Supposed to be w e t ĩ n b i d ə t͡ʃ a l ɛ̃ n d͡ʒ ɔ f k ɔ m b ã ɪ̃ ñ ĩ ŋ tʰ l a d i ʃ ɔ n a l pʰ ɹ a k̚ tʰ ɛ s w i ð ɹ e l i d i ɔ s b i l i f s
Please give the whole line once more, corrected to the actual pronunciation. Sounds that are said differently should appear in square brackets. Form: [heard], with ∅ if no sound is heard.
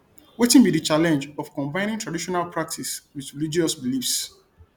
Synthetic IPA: w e t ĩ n b i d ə t͡ʃ a l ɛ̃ n d͡ʒ ɔ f k [ɔ̃] m b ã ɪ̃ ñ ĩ ŋ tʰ [ɹ] a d i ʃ ɔ n a l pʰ ɹ a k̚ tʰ [i] s w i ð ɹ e l i [d͡ʒ] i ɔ s b i l i f s